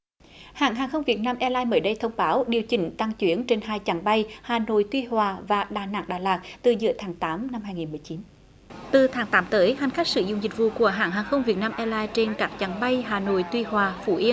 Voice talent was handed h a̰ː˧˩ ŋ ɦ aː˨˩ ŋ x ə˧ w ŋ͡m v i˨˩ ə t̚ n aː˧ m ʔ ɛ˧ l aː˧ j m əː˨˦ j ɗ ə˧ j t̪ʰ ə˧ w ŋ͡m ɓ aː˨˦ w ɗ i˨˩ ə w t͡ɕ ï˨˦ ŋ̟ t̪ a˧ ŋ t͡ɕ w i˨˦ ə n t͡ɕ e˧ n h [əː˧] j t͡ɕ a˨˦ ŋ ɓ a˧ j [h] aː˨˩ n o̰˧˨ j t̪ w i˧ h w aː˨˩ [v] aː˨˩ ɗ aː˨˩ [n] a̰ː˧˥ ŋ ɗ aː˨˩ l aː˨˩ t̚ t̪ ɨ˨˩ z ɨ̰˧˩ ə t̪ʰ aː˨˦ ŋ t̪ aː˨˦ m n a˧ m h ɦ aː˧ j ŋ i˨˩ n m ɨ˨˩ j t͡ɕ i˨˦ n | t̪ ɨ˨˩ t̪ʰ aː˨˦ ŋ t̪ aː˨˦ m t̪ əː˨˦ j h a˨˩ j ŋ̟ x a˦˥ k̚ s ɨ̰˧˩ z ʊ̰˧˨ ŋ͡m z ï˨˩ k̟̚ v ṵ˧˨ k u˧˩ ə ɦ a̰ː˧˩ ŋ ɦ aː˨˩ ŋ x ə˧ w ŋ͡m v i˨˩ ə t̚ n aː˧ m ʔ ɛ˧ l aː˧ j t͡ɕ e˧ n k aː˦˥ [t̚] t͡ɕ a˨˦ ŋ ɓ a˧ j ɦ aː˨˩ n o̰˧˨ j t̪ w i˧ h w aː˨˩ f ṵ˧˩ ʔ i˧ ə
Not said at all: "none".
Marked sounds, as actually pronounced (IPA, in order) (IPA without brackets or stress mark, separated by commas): aː˧, h, v, n, k̚